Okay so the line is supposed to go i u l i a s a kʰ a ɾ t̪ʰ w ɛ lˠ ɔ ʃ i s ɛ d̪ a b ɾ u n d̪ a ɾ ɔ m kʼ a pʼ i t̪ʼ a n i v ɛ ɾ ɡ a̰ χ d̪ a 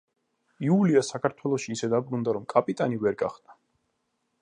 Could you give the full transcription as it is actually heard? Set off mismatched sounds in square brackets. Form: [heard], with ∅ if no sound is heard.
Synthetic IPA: i u l i a s a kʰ a ɾ t̪ʰ w ɛ lˠ ɔ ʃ [iː] s ɛ d̪ a b ɾ u n d̪ a ɾ ɔ m kʼ a pʼ i t̪ʼ a n i v ɛ ɾ ɡ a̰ χ d̪ a